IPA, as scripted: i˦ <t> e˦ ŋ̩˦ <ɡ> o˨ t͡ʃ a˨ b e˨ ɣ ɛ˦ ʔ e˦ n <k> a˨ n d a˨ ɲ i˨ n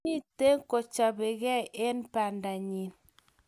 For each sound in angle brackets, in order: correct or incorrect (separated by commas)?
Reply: correct, incorrect, incorrect